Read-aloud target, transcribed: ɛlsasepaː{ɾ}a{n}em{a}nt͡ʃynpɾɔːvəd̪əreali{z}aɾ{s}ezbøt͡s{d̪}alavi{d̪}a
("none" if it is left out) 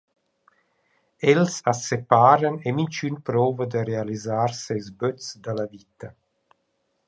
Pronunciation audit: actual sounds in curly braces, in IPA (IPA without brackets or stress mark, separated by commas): ɾ, n, i, z, s, d̪, t̪